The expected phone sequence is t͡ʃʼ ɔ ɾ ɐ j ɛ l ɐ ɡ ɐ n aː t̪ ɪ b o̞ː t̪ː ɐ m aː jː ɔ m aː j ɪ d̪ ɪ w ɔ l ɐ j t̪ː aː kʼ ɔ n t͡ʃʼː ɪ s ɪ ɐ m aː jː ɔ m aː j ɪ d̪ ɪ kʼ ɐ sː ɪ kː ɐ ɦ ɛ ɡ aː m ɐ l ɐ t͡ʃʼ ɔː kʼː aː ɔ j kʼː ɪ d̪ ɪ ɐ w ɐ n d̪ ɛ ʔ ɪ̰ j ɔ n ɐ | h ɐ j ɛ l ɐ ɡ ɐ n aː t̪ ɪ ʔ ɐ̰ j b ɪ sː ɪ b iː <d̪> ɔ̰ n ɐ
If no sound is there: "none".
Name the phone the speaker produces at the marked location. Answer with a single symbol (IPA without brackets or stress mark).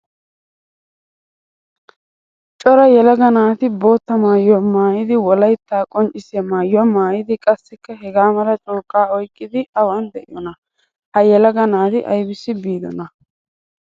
d̪